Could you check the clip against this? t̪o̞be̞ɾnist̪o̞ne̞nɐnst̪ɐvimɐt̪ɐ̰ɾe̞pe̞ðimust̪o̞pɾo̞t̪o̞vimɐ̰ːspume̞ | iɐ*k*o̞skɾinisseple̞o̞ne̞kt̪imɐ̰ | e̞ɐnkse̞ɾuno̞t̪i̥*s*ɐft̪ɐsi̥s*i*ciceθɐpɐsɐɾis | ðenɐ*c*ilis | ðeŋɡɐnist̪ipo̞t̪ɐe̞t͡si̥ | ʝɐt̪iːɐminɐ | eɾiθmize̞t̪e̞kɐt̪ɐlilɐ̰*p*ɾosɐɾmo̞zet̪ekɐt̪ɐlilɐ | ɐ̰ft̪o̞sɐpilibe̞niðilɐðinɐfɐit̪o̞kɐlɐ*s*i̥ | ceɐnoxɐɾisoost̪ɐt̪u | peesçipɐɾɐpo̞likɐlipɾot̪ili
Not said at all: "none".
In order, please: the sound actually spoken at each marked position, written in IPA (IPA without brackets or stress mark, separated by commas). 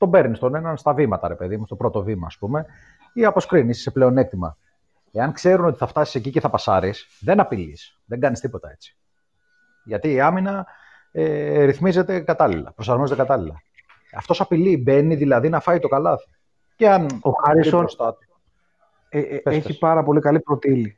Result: p, θ, e, p, p, θ